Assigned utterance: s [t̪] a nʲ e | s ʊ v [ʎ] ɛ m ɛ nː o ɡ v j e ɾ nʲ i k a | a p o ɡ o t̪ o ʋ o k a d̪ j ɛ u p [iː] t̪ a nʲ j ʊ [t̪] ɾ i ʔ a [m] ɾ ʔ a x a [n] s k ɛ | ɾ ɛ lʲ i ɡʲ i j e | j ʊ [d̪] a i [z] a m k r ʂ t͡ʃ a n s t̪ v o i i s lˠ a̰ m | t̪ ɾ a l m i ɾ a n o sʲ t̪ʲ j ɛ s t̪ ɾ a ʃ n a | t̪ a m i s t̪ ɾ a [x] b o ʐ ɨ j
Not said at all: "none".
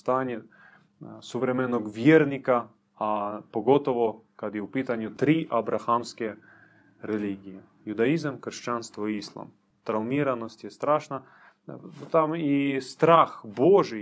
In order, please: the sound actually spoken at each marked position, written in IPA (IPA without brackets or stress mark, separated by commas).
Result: t̪, ɾ, i, t̪, b, m, d̪, z, x